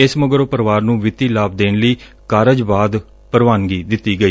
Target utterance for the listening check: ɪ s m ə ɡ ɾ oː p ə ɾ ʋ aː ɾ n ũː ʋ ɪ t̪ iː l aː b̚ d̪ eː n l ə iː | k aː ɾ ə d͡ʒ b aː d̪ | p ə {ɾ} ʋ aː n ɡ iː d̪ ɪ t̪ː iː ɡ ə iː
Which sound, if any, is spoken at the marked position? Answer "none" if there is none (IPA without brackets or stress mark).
ɾ